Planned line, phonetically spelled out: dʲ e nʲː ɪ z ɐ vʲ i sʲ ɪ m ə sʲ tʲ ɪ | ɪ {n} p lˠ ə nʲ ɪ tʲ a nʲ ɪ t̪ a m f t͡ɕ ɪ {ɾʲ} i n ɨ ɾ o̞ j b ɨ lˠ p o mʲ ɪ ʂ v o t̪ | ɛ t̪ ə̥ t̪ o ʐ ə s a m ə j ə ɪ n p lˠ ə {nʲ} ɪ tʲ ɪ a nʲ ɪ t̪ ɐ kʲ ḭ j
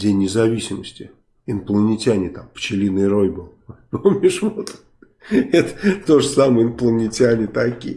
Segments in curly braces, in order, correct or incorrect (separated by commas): correct, incorrect, correct